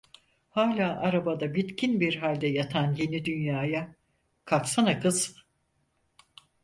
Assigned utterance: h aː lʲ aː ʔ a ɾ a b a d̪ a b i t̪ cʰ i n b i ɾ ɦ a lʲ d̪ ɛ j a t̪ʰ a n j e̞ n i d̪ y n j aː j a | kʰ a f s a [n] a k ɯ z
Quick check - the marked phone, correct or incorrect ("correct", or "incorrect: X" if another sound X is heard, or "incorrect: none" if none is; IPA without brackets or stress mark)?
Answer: correct